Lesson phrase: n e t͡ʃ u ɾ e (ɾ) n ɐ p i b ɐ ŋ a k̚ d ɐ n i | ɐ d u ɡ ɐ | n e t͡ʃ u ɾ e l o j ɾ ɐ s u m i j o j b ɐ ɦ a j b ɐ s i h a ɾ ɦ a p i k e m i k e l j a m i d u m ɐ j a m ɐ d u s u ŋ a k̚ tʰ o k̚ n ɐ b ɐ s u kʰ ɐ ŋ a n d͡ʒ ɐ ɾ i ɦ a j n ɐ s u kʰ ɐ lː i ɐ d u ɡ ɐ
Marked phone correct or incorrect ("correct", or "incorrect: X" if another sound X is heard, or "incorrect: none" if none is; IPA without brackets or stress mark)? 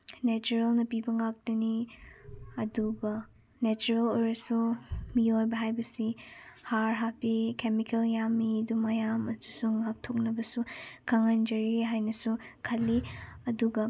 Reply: incorrect: l